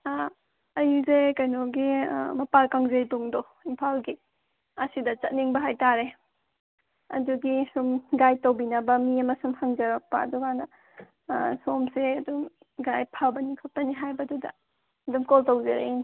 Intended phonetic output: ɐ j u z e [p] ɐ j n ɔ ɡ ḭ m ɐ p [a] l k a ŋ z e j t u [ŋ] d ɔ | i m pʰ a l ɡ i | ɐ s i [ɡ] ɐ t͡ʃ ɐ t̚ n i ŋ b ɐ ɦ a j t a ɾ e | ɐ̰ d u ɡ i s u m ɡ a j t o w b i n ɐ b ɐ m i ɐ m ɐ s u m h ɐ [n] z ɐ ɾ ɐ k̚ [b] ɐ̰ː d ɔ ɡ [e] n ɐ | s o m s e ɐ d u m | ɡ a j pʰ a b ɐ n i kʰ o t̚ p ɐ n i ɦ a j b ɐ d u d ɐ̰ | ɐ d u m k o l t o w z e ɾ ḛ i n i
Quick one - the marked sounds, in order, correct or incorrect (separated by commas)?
incorrect, correct, correct, incorrect, incorrect, incorrect, incorrect